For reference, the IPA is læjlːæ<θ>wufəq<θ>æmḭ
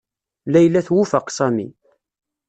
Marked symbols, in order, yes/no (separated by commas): yes, no